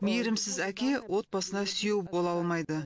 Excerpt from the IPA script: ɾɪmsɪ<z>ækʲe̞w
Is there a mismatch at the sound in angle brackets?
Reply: no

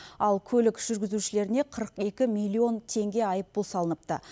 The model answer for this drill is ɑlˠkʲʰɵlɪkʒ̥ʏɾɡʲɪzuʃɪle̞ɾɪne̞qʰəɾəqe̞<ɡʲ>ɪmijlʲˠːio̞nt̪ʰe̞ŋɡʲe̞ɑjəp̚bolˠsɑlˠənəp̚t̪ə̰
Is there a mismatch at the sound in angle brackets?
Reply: yes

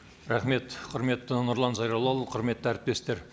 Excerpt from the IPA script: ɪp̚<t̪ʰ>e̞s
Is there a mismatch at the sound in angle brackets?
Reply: yes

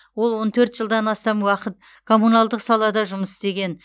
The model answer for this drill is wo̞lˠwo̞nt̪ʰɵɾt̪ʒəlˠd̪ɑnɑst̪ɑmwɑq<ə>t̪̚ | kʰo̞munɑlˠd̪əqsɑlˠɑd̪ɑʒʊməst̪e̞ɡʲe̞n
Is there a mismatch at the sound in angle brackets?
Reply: no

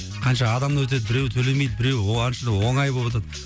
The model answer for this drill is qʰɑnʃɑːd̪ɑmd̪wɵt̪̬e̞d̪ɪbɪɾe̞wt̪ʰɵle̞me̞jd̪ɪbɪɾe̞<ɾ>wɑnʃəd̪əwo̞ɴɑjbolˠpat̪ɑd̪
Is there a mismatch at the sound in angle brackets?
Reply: yes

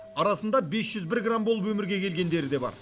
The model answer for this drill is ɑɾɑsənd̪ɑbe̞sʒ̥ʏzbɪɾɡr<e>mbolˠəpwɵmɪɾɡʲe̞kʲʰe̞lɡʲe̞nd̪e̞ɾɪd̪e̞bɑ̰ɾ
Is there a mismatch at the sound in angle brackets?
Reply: yes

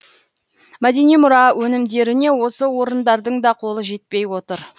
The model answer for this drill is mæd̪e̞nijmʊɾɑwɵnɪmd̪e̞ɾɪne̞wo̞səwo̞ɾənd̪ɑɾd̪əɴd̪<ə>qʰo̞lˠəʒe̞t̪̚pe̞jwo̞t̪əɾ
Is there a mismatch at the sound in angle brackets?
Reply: yes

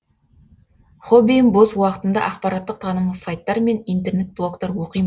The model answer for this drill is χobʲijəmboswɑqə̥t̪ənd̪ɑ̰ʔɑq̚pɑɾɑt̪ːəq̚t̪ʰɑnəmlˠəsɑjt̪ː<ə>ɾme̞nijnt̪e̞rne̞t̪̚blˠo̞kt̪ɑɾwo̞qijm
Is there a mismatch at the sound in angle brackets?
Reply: yes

